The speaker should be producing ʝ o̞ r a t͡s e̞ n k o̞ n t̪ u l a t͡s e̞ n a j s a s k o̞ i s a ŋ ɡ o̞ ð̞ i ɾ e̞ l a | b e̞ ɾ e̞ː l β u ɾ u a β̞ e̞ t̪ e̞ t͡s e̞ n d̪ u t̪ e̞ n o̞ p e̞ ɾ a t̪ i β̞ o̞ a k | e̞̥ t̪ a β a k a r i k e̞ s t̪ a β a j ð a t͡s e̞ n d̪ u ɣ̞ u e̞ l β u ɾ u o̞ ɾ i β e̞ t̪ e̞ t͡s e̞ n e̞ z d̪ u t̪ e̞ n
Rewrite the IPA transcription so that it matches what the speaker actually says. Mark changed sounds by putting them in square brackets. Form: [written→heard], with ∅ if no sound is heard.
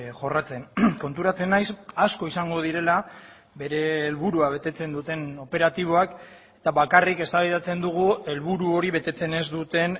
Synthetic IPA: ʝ o̞ r a t͡s e̞ n k o̞ n t̪ u [l→ɾ] a t͡s e̞ n a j s a s k o̞ i s a ŋ ɡ o̞ ð̞ i ɾ e̞ l a | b e̞ ɾ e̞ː l β u ɾ u a β̞ e̞ t̪ e̞ t͡s e̞ n d̪ u t̪ e̞ n o̞ p e̞ ɾ a t̪ i β̞ o̞ a k | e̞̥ t̪ a β a k a r i k e̞ s t̪ a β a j ð a t͡s e̞ n d̪ u ɣ̞ u e̞ l β u ɾ u o̞ ɾ i β e̞ t̪ e̞ t͡s e̞ n e̞ z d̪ u t̪ e̞ n

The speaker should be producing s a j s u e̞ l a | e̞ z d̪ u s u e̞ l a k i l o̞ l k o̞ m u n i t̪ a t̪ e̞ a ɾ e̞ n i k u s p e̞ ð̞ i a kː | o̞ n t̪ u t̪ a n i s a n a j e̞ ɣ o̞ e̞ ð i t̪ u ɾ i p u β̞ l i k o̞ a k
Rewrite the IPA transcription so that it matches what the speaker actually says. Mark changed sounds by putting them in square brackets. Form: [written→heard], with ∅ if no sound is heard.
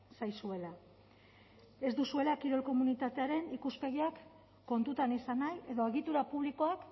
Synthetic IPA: s a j s u e̞ l a | e̞ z d̪ u s u e̞ l a k i [l→ɾ] o̞ l k o̞ m u n i t̪ a t̪ e̞ a ɾ e̞ n i k u s p e̞ [ð̞→ɣ̞] i a kː | o̞ n t̪ u t̪ a n i s a n a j e̞ [ɣ→ð] o̞ e̞ [ð→ɣ] i t̪ u ɾ [i→a] p u β̞ l i k o̞ a k

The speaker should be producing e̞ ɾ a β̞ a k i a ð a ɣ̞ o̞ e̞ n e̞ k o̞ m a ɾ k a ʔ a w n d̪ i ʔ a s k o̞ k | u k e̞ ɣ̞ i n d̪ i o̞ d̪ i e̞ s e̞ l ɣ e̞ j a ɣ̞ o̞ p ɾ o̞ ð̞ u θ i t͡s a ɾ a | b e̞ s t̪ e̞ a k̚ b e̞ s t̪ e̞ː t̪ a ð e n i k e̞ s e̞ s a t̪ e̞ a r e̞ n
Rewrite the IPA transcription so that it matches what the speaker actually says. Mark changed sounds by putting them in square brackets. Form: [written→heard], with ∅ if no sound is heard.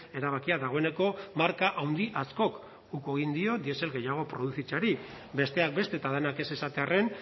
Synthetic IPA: e̞ ɾ a β̞ a k i a ð a ɣ̞ o̞ e̞ n e̞ k o̞ m a ɾ k a ʔ a w n d̪ i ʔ a s k o̞ k | u k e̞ ɣ̞ i n d̪ i o̞ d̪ i e̞ s e̞ l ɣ e̞ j a ɣ̞ o̞ p ɾ o̞ ð̞ u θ i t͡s a ɾ [a→i] | b e̞ s t̪ e̞ a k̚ b e̞ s t̪ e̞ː t̪ a ð e n [i→a] k e̞ s e̞ s a t̪ e̞ a r e̞ n

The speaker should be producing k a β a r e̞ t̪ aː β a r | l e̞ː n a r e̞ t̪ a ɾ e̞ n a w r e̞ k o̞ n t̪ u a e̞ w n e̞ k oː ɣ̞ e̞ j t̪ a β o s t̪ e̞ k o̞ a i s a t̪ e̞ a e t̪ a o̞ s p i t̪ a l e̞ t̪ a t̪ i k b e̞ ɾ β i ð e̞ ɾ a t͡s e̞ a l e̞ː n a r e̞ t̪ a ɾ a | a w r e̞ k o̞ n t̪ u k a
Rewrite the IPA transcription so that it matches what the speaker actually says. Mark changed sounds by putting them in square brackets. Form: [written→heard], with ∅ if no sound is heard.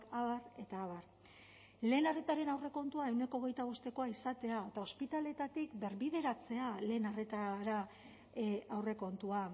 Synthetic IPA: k a β a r e̞ t̪ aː β a r | l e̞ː n a r e̞ t̪ a ɾ e̞ n a w r e̞ k o̞ n t̪ u a e̞ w n e̞ k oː ɣ̞ e̞ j t̪ a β o s t̪ e̞ k o̞ a i s a t̪ e̞ a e t̪ a o̞ s p i t̪ a l e̞ t̪ a t̪ i k b e̞ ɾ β i ð e̞ ɾ a t͡s e̞ a l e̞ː n a r e̞ t̪ a ɾ a | a w r e̞ k o̞ n t̪ u [k→∅] a

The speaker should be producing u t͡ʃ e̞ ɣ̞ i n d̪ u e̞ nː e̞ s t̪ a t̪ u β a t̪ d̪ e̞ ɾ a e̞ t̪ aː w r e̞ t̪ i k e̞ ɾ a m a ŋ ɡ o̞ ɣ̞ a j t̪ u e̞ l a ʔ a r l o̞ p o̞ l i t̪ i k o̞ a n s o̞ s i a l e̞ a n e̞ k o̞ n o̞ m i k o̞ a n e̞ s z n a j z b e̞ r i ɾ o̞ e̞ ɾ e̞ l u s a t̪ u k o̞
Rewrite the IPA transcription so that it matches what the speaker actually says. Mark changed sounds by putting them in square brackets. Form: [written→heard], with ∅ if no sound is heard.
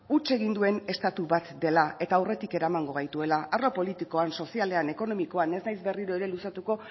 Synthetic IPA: u t͡ʃ e̞ ɣ̞ i n d̪ u e̞ [nː→n] e̞ s t̪ a t̪ u β a t̪ d̪ e̞ [ɾ→l] a e̞ t̪ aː w r e̞ t̪ i k e̞ ɾ a m a ŋ ɡ o̞ ɣ̞ a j t̪ u e̞ l a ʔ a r l o̞ p o̞ l i t̪ i k o̞ a n s o̞ s i a l e̞ a n e̞ k o̞ n o̞ m i k o̞ a n e̞ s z n a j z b e̞ r i ɾ o̞ e̞ ɾ e̞ l u s a t̪ u k o̞

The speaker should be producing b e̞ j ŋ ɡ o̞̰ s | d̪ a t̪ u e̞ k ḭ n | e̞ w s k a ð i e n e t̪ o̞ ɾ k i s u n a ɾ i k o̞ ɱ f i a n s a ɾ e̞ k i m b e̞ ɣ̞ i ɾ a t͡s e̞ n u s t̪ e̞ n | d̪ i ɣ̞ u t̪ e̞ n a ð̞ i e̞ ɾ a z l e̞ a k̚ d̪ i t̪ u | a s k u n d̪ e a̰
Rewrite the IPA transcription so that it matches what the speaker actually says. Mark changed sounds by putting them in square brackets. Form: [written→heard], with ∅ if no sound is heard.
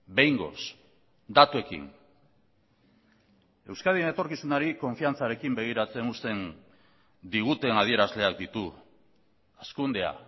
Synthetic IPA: b e̞ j ŋ ɡ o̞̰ s | d̪ a t̪ u e̞ k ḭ n | e̞ w s k a ð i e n e t̪ o̞ ɾ k i s u n a ɾ i k o̞ ɱ f i a n [s→t͡s] a ɾ e̞ k i m b e̞ ɣ̞ i ɾ a t͡s e̞ n u s t̪ e̞ n | d̪ i ɣ̞ u t̪ e̞ n a ð̞ i e̞ ɾ a z l e̞ a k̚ d̪ i t̪ u | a s k u n d̪ e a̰

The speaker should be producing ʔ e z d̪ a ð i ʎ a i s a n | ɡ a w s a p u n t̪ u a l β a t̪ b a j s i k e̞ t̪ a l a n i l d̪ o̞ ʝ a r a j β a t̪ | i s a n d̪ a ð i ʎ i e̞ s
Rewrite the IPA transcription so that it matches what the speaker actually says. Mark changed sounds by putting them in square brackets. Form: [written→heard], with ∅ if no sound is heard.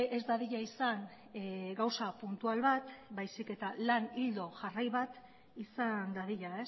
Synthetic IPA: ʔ e z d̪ a ð i ʎ a i s a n | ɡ a w s a p u n t̪ u a l β a t̪ b a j s i k e̞ t̪ a l a n i l d̪ o̞ ʝ a r a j β a t̪ | i s a n d̪ a ð i ʎ [i→a] e̞ s

